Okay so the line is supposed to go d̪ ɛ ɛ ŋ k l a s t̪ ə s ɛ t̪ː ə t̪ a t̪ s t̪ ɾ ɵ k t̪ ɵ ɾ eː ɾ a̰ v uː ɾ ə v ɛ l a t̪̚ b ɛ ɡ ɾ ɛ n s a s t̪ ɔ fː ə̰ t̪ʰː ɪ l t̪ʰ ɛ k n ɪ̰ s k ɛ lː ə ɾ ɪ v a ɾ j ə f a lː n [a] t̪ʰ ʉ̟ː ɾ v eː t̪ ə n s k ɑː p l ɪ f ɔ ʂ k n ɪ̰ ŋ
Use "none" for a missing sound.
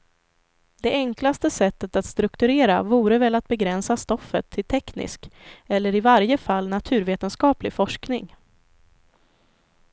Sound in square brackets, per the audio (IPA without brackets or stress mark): a